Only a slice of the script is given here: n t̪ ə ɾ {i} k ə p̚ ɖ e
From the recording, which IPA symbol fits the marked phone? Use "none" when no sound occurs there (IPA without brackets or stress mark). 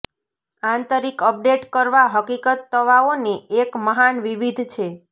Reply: i